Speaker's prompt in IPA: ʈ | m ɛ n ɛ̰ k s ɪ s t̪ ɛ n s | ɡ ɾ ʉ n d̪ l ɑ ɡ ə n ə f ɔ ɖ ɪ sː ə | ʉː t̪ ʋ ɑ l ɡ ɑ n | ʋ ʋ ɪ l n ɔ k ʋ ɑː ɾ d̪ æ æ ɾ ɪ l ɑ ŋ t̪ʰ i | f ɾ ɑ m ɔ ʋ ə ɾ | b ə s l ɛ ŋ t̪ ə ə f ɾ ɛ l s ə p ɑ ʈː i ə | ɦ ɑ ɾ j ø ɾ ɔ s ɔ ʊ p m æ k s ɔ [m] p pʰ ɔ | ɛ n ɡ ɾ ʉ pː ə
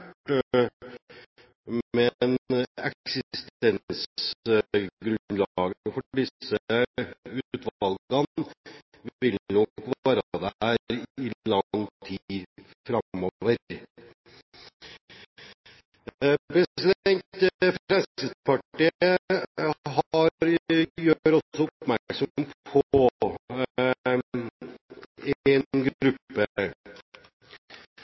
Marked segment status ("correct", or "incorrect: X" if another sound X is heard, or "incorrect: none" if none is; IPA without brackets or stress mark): correct